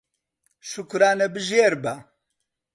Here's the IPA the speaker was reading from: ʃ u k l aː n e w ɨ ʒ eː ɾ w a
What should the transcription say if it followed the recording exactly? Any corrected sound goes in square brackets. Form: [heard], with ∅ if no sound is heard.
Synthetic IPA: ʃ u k [ɾ] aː n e [b] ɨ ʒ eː ɾ [b] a